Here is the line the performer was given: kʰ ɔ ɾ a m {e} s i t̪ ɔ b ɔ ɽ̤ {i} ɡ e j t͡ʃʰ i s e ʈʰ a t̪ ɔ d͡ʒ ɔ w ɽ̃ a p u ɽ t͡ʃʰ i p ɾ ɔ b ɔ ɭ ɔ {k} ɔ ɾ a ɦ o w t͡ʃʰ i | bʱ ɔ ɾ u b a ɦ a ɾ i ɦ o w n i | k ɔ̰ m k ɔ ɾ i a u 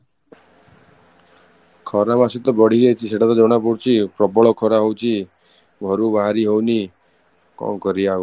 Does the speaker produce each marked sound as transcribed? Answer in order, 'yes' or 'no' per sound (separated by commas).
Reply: no, yes, no